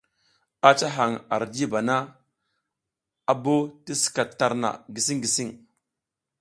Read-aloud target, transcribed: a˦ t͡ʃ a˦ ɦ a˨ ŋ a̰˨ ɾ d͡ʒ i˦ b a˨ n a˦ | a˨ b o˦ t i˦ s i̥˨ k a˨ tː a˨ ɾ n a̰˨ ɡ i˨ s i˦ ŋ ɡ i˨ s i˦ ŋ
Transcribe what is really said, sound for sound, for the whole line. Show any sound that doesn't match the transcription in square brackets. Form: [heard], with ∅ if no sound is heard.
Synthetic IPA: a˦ t͡ʃ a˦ ɦ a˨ ŋ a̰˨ ɾ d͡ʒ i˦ b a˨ n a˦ | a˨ b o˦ t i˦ s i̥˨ k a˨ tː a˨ ɾ n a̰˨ ɡ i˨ s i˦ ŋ ɡ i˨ s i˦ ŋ